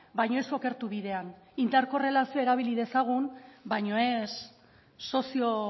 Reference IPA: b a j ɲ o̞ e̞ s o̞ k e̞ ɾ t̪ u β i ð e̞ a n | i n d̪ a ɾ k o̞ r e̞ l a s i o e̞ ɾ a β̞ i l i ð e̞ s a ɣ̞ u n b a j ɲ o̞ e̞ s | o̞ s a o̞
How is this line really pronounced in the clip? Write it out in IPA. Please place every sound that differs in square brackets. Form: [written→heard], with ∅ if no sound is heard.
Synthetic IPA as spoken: b a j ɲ o̞ e̞ s o̞ k e̞ ɾ t̪ u β i ð e̞ a n | i n d̪ a ɾ k o̞ r e̞ l a s i o e̞ ɾ a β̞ i l i ð e̞ s a ɣ̞ u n b a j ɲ o̞ e̞ [s→sː] | o̞ s [a→i] o̞

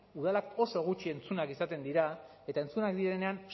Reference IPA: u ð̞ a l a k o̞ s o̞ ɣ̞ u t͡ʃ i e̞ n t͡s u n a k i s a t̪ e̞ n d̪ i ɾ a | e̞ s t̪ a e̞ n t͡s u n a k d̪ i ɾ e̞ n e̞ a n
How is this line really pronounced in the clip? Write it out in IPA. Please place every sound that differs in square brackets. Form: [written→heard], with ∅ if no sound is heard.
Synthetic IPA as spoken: u ð̞ a l a k o̞ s o̞ ɣ̞ u t͡ʃ i e̞ n t͡s u n a k i s a t̪ e̞ n d̪ i ɾ a | e̞ [s→∅] t̪ a e̞ n t͡s u n a k d̪ i ɾ e̞ n e̞ a n

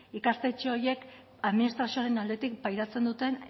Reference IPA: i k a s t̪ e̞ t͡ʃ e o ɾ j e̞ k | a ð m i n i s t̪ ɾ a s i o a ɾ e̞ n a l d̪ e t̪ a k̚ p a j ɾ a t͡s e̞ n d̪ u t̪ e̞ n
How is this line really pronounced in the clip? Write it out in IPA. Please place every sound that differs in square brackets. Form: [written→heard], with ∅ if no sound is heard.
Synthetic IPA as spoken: i k a s t̪ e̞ t͡ʃ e o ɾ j e̞ k | a ð m i n i s t̪ ɾ a s i o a ɾ e̞ n a l d̪ e t̪ [a→i] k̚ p a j ɾ a t͡s e̞ n d̪ u t̪ e̞ n

